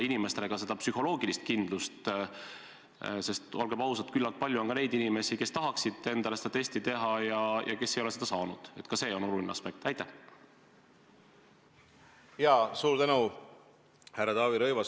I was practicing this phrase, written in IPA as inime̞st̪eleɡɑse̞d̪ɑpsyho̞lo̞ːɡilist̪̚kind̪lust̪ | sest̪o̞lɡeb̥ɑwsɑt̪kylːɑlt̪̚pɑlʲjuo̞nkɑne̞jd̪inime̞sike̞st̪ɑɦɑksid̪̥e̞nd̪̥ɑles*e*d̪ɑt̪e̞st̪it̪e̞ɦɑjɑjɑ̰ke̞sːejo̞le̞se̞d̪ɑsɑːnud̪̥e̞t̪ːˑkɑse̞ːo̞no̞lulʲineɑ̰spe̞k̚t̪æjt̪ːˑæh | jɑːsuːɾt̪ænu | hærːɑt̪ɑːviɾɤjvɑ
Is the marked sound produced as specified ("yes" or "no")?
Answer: yes